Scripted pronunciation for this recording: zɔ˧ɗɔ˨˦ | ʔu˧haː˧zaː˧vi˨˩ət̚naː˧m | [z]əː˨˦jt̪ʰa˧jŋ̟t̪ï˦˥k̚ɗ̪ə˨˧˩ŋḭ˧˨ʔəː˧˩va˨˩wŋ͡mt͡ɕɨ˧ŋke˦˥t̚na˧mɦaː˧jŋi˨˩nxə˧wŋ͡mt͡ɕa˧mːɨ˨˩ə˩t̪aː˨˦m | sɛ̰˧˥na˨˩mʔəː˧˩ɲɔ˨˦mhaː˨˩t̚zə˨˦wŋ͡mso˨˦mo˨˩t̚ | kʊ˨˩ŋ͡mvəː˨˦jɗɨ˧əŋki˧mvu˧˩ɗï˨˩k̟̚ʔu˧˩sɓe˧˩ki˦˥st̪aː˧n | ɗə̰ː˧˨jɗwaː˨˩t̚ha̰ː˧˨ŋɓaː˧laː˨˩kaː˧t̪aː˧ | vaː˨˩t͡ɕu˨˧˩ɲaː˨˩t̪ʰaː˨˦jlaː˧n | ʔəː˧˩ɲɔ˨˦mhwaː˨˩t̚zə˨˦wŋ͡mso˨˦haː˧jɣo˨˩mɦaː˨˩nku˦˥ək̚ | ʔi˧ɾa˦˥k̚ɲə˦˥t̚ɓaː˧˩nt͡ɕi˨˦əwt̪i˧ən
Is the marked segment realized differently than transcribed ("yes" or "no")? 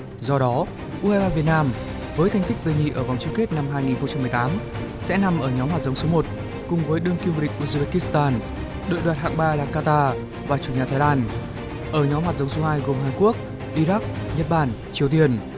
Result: yes